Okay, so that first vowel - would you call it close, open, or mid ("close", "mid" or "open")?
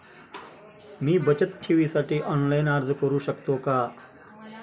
close